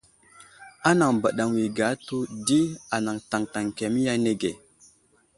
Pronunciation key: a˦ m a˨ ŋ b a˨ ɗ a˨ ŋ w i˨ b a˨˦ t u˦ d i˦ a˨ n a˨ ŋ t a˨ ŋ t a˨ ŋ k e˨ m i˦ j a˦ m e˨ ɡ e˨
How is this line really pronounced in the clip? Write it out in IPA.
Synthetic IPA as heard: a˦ n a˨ ŋ b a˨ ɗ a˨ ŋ w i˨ ɡ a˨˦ t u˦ d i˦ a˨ n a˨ ŋ t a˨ ŋ t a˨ ŋ k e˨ m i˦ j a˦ n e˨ ɡ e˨